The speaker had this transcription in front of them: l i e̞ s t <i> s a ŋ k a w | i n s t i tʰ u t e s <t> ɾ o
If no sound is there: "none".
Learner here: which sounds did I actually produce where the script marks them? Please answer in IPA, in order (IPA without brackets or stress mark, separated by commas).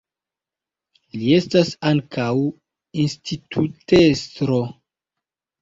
a, t